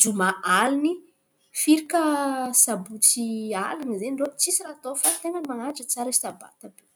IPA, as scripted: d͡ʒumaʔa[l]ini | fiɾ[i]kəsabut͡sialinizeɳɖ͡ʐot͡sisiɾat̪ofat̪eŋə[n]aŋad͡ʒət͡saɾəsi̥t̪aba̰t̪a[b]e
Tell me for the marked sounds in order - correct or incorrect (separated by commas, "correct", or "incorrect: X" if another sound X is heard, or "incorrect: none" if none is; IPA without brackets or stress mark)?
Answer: correct, correct, incorrect: m, correct